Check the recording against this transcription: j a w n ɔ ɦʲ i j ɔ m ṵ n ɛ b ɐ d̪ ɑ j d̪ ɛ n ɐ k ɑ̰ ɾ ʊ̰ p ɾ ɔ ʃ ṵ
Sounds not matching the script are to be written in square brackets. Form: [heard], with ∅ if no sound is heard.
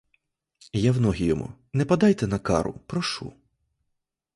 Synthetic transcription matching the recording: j a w n ɔ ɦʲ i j ɔ m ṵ n ɛ [p] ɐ d̪ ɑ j [t̪] ɛ n ɐ k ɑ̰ ɾ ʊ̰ p ɾ ɔ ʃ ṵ